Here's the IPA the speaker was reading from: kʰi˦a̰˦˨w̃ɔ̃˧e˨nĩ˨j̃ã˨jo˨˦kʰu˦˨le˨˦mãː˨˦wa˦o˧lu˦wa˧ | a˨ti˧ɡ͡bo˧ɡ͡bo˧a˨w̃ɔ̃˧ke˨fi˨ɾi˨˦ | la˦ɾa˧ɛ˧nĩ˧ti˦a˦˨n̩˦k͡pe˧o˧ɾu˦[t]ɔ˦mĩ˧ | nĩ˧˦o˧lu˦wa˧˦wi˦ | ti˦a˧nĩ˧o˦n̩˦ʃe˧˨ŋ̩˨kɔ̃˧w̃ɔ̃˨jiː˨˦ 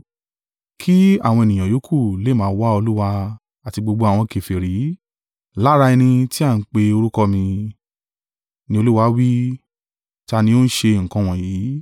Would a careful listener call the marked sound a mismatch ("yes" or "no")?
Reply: yes